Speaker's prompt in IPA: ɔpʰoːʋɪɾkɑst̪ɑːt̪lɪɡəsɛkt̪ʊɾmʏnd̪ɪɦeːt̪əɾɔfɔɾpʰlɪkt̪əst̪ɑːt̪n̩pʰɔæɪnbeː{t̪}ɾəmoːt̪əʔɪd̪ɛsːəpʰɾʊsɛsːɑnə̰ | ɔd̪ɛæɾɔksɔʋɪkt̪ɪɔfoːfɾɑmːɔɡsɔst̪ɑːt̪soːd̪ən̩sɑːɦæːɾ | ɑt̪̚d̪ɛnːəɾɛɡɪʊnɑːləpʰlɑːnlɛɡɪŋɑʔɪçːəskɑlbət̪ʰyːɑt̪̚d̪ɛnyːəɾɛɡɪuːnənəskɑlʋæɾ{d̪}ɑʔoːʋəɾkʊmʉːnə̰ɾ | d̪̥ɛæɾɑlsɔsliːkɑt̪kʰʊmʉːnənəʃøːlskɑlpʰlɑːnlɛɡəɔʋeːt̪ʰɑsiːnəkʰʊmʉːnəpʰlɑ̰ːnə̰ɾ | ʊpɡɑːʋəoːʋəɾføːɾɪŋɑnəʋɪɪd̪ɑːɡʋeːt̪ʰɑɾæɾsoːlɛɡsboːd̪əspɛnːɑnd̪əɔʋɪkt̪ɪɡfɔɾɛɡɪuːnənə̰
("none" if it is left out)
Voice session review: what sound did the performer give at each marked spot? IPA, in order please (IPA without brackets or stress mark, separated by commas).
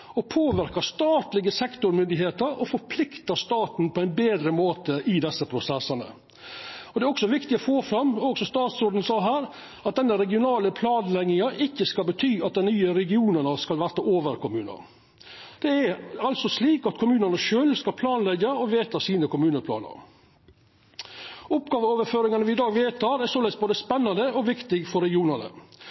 d̪, t̪